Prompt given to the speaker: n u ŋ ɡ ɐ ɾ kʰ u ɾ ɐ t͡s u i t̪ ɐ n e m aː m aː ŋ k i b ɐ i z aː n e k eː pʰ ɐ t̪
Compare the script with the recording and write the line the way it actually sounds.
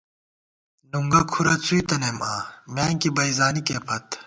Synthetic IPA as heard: n u ŋ ɡ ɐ kʰ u ɾ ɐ t͡s u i t̪ ɐ n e m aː m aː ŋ k i b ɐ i z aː n i k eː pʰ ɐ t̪